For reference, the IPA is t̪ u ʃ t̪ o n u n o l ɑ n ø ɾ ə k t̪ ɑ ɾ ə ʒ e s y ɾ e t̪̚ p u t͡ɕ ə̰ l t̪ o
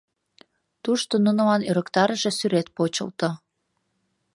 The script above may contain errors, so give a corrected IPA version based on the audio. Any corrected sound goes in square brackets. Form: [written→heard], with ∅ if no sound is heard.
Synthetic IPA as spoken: t̪ u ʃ t̪ o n u n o l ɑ n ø ɾ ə k t̪ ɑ ɾ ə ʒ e s y ɾ e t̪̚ p [u→o] t͡ɕ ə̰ l t̪ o